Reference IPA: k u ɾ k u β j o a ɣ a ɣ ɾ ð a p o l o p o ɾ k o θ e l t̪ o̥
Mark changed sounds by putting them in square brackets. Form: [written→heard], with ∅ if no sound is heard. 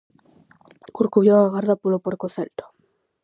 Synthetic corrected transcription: k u ɾ k u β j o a ɣ a [ɣ→∅] ɾ ð a p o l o p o ɾ k o θ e l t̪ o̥